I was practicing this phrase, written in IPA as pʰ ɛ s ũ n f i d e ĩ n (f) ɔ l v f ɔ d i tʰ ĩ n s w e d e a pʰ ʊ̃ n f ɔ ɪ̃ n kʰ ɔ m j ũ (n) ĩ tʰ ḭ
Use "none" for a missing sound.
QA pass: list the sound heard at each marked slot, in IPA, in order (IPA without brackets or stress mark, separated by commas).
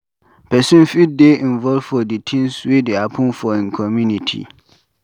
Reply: v, n